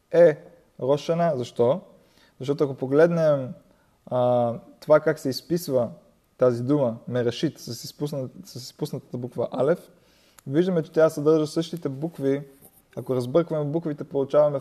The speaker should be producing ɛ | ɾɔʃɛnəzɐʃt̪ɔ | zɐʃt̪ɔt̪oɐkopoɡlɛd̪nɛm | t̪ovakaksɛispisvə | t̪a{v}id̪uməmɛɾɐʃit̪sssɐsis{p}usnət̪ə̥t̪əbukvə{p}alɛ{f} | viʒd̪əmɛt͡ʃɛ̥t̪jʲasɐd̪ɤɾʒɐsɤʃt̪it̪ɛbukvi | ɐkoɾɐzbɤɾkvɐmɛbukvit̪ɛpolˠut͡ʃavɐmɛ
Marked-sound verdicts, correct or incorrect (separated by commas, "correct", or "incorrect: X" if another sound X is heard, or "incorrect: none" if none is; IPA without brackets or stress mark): incorrect: z, correct, incorrect: ʔ, correct